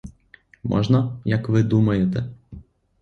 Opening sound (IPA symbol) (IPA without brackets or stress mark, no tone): m